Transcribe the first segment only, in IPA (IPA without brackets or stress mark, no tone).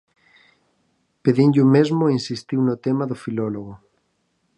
p